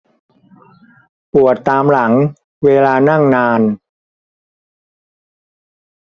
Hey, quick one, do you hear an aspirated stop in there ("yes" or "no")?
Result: no